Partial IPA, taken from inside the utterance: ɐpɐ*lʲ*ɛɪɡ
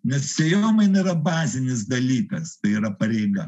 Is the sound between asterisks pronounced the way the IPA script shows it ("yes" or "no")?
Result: no